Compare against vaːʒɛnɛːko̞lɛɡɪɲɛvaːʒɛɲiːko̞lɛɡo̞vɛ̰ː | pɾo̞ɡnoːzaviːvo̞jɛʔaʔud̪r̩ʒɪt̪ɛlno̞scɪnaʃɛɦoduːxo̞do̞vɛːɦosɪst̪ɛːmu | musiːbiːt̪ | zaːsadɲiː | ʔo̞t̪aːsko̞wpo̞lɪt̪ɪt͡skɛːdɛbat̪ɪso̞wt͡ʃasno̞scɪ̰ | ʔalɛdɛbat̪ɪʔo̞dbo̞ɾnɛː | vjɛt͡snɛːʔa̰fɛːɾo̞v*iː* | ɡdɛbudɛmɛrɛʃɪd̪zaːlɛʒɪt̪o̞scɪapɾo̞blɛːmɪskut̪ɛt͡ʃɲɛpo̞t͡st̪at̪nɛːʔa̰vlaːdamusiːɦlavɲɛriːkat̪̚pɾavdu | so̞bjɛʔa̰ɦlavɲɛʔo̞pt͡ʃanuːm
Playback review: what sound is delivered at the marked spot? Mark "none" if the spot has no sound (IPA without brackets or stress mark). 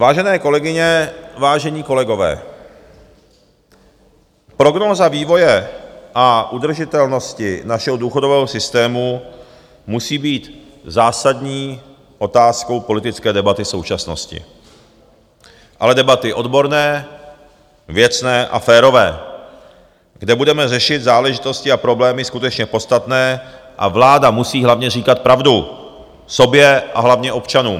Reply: ɛː